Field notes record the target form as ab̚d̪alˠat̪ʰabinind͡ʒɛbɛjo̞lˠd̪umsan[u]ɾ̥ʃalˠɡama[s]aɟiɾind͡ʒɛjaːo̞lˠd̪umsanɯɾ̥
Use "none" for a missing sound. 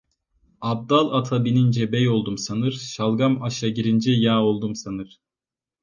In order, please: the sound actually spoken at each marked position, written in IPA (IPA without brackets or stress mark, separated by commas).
ɯ, ʃ